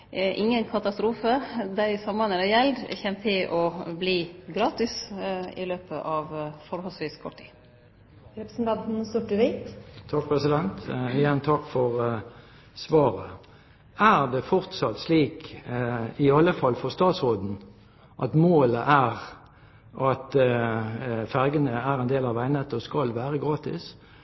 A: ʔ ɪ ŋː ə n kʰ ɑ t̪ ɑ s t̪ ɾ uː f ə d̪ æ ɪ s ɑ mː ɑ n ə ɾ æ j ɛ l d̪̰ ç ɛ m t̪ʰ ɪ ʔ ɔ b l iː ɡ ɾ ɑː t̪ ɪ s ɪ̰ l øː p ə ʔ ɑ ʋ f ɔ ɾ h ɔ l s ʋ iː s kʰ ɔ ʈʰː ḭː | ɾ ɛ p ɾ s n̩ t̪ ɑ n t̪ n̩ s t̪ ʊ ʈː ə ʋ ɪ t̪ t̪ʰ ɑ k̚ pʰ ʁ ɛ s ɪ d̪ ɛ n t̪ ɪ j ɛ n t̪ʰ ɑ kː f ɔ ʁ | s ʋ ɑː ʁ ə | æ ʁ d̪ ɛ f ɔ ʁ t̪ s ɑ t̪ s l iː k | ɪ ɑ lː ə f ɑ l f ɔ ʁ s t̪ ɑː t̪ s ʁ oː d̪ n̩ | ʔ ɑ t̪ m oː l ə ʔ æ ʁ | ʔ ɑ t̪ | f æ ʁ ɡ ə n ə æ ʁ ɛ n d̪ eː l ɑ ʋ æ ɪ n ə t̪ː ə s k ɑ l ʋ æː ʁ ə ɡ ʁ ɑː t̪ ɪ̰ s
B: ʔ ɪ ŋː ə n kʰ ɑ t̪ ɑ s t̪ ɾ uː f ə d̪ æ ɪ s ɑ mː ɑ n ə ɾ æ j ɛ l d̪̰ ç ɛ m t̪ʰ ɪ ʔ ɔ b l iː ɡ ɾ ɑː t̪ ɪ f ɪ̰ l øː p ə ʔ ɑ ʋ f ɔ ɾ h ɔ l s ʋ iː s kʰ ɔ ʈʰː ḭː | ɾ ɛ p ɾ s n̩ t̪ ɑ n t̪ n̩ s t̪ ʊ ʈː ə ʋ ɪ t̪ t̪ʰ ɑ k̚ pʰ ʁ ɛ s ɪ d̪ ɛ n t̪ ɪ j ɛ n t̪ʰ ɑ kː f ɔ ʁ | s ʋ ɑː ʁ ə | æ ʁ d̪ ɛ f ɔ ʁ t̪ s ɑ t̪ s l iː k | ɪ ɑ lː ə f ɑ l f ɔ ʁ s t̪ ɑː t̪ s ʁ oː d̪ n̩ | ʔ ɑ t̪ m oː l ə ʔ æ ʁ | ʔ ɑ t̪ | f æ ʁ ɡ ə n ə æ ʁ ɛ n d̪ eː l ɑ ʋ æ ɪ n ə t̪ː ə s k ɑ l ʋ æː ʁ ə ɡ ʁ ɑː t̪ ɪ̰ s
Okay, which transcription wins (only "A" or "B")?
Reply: A